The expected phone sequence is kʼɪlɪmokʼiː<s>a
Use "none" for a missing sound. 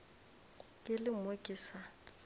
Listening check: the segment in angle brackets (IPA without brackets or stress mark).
s